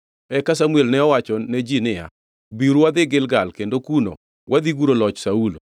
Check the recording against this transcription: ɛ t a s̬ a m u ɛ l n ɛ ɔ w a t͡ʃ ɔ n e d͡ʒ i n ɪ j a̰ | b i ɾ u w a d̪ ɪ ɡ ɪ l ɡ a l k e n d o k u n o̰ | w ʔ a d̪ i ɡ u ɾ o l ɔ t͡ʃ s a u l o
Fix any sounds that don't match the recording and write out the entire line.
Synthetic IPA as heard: ɛ k a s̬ a m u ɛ l n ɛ ɔ w a t͡ʃ ɔ n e d͡ʒ i n ɪ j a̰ | b i ɾ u w a d̪ ɪ ɡ ɪ l ɡ a l k e n d o k u n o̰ | w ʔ a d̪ i ɡ u ɾ o l ɔ t͡ʃ s a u l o